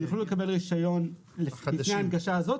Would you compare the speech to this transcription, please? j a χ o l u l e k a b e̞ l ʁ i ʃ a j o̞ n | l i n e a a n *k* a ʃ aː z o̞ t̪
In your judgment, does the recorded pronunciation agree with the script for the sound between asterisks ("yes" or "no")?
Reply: no